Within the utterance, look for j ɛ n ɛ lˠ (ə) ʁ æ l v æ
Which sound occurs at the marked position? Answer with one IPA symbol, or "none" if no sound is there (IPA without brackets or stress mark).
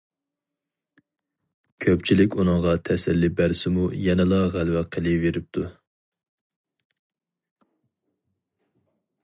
ɑ